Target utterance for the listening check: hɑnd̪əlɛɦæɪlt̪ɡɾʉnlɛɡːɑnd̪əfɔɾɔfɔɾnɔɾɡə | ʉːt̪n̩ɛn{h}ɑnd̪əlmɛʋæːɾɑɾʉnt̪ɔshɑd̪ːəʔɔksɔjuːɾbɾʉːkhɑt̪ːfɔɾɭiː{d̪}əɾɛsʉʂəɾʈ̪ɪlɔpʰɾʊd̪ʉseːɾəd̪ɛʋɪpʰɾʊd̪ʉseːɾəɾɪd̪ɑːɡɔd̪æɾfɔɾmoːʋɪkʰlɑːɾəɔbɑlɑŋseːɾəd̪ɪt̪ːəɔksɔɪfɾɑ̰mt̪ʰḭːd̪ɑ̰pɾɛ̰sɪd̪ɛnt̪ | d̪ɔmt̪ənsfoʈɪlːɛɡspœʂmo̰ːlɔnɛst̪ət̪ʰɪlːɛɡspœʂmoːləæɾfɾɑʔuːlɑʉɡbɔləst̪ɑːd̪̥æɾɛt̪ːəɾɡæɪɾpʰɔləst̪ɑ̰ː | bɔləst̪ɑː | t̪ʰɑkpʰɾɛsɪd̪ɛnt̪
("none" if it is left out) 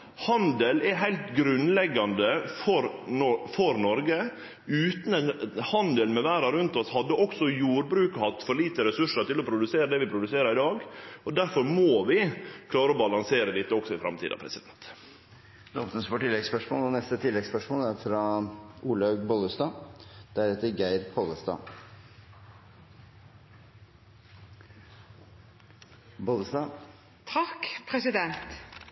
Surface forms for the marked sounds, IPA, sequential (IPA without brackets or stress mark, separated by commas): h, t̪